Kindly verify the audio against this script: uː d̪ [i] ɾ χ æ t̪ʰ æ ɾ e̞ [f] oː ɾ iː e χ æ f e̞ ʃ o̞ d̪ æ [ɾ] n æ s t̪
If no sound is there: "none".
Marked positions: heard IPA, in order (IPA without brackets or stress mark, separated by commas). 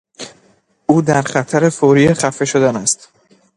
æ, f, none